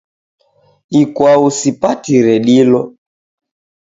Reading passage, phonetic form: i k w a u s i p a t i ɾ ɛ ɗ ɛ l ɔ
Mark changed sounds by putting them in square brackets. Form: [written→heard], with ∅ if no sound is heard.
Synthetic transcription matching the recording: i k w a u s i p a t i ɾ ɛ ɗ [ɛ→i] l ɔ